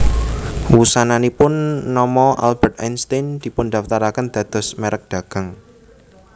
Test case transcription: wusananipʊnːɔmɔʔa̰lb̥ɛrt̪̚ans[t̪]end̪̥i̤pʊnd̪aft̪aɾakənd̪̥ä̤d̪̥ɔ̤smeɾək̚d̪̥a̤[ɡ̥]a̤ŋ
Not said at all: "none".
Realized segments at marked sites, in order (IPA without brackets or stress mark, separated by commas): t̪, ɡ̥